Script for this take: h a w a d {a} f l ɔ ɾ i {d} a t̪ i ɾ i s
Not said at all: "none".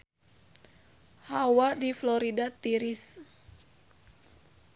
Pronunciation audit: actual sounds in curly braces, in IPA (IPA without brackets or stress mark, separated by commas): i, d